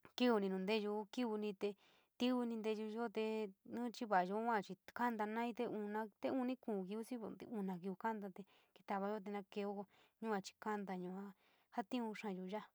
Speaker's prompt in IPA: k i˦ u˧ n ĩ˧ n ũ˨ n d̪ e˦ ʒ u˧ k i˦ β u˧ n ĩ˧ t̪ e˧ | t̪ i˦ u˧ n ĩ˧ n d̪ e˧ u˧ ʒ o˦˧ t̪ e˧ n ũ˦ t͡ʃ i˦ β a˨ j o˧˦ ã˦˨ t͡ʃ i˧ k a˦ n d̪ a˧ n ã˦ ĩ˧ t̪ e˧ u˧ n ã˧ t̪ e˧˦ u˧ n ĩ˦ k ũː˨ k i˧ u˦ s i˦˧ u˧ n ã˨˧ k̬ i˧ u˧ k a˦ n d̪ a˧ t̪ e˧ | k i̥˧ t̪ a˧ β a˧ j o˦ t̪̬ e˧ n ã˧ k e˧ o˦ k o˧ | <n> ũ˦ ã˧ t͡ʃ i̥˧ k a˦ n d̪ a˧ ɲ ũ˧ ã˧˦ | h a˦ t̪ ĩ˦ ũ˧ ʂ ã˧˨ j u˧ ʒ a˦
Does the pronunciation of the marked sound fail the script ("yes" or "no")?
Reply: yes